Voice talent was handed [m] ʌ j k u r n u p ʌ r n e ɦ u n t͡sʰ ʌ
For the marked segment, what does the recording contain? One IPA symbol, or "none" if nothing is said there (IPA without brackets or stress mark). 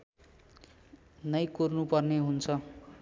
n